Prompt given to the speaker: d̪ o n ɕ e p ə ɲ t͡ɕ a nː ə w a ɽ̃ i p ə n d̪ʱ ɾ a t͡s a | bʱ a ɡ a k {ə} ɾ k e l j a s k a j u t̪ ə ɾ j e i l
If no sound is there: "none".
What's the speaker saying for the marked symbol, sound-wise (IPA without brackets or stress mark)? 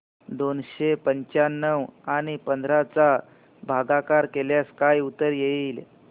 a